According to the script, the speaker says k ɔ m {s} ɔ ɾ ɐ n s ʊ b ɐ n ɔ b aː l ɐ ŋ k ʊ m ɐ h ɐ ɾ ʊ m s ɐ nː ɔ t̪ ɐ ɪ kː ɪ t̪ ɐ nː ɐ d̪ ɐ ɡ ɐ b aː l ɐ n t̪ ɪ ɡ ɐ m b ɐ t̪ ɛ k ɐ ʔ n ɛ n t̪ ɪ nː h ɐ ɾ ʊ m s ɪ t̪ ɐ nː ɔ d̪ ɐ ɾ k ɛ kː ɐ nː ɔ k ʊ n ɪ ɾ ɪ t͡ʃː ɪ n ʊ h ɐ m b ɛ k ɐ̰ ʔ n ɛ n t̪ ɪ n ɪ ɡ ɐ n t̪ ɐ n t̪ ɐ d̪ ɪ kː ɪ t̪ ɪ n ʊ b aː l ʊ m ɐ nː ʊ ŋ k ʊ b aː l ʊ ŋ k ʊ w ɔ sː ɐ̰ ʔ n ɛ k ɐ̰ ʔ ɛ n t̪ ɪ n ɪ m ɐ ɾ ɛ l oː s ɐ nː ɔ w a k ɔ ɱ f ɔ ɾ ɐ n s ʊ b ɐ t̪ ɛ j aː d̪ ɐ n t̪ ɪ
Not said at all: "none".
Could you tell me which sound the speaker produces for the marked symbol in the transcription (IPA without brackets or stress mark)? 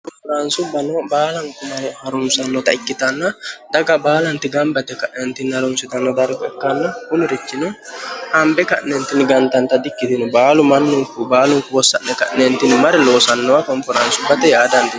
f